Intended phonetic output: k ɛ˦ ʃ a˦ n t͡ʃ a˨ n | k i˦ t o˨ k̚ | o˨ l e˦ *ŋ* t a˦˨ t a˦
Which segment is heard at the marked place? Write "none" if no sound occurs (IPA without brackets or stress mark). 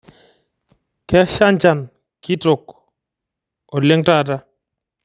ŋ